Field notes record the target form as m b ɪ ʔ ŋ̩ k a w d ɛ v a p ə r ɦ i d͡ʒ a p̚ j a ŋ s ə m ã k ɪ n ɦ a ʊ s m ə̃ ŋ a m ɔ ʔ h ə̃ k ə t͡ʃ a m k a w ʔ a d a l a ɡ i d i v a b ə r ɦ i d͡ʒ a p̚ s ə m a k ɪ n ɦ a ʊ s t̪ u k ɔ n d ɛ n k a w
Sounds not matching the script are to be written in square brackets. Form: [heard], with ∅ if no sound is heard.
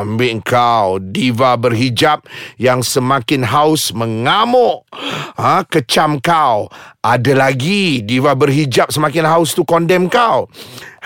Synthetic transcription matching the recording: m b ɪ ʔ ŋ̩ k a w d [i] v a [b] ə r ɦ i d͡ʒ a p̚ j a ŋ s ə m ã k ɪ n ɦ a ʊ s m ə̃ ŋ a m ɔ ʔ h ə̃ k ə t͡ʃ a m k a w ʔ a d a l a ɡ i d i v a b ə r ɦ i d͡ʒ a p̚ s ə m a k ɪ n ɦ a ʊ s t̪ u k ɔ n d ɛ [m] k a w